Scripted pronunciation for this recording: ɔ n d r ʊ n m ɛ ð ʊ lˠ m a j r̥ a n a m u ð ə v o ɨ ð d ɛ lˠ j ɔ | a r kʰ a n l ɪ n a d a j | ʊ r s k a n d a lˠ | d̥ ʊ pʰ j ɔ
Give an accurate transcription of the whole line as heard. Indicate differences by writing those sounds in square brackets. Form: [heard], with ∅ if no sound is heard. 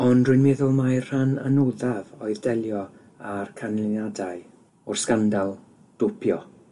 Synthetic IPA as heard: ɔ n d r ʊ n m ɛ ð ʊ lˠ m a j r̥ a n a [n] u ð [a] v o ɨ ð d ɛ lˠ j ɔ | a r kʰ a n l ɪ n a d a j | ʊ r s k a n d a lˠ | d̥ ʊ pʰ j ɔ